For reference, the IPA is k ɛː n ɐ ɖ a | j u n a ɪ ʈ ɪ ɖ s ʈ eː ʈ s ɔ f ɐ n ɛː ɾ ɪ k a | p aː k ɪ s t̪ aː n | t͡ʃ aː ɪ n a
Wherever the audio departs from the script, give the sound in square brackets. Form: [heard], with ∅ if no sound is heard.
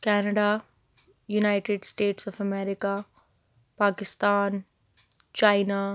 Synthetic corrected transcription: k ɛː n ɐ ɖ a | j u n a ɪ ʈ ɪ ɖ s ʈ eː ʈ s ɔ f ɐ [m] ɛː ɾ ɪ k a | p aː k ɪ s t̪ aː n | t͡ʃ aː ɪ n a

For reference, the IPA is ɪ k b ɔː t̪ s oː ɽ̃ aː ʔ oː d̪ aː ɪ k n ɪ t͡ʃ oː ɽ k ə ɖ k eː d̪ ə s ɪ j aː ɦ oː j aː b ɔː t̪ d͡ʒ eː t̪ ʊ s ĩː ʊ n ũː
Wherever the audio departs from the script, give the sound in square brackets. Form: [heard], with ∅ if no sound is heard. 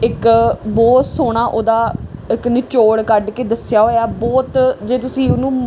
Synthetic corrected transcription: ɪ k b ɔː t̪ s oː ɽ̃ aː ʔ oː d̪ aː ɪ k n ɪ t͡ʃ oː ɽ k ə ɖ k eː d̪ ə s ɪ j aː ɦ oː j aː b ɔː t̪ d͡ʒ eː t̪ ʊ s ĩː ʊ n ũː

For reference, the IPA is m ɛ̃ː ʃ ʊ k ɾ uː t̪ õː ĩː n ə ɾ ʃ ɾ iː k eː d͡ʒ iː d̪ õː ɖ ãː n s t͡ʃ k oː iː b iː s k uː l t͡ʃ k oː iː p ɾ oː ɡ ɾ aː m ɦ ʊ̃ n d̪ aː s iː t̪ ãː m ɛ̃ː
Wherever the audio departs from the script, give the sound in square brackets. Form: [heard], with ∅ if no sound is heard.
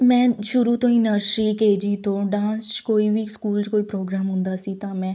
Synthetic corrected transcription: m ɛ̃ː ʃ ʊ [∅] ɾ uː t̪ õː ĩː n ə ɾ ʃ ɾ iː k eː d͡ʒ iː [t̪] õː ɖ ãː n s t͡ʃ k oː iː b iː s k uː l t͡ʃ k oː iː p ɾ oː ɡ ɾ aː m ɦ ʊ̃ n d̪ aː s iː t̪ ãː m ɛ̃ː

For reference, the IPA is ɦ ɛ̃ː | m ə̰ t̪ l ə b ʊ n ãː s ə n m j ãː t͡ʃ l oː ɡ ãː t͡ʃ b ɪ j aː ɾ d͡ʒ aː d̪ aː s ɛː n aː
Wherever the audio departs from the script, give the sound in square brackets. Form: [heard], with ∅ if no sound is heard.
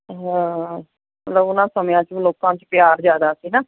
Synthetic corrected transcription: ɦ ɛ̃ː | m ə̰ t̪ l ə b ʊ n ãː s ə [∅] m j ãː t͡ʃ l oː [k] ãː t͡ʃ [p] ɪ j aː ɾ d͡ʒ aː d̪ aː s [iː] n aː

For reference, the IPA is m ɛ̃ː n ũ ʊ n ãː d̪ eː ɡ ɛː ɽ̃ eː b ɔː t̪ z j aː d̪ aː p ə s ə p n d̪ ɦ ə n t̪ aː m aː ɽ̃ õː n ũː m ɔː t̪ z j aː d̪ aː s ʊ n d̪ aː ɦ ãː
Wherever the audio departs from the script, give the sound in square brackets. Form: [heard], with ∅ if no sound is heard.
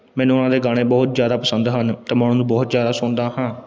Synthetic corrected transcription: m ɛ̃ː n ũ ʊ n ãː d̪ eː ɡ [aː] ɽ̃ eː b ɔː t̪ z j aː d̪ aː p ə s ə [∅] n d̪ ɦ ə n t̪ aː m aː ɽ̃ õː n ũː [b] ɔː t̪ z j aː d̪ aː s ʊ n d̪ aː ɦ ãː

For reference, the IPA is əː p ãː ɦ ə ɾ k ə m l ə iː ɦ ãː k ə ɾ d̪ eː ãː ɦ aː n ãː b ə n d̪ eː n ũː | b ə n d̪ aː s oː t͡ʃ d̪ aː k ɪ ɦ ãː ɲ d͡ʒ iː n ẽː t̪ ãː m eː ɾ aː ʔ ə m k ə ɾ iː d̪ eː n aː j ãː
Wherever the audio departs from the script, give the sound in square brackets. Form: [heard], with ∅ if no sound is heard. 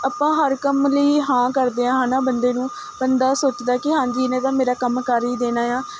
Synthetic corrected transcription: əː p ãː ɦ ə ɾ k ə m l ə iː ɦ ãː k ə ɾ d̪ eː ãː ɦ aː n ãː b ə n d̪ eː n ũː | b ə n d̪ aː s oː t͡ʃ d̪ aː k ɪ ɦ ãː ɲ d͡ʒ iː n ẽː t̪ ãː m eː ɾ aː [k] ə m k ə ɾ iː d̪ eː n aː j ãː

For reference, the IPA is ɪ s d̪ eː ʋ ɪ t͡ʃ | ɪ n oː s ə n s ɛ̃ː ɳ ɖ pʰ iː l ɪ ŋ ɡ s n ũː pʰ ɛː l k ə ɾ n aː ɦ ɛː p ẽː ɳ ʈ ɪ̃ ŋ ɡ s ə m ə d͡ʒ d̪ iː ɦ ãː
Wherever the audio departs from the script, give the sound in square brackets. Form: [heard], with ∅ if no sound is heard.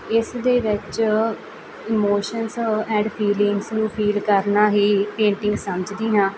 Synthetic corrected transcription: ɪ s d̪ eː ʋ ɪ t͡ʃ | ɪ [m] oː [ʃ] ə n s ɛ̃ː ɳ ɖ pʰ iː l ɪ ŋ ɡ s n ũː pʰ [iː] l k ə ɾ n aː ɦ [iː] p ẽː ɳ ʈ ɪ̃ ŋ ɡ s ə m ə d͡ʒ d̪ iː ɦ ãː

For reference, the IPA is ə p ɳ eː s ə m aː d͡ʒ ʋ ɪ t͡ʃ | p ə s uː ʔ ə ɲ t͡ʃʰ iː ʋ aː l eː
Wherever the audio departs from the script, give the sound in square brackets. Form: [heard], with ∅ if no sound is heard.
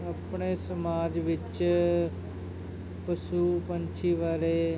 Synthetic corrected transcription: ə p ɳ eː s ə m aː d͡ʒ ʋ ɪ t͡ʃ | p ə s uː [p] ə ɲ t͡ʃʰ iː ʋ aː [ɾ] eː

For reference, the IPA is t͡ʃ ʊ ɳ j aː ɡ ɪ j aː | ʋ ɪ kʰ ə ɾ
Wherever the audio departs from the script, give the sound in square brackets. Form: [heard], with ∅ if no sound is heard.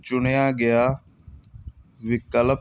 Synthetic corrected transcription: t͡ʃ ʊ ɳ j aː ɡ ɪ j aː | ʋ ɪ [k] ə [l]

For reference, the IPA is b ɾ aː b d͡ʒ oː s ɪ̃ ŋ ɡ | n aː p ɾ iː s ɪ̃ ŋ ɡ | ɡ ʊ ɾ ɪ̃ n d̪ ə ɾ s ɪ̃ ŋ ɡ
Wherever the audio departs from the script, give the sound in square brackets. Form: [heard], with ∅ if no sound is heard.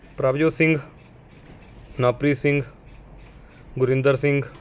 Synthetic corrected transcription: [p] ɾ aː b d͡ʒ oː s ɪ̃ ŋ ɡ | n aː p ɾ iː s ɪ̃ ŋ ɡ | ɡ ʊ ɾ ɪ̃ n d̪ ə ɾ s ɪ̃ ŋ ɡ

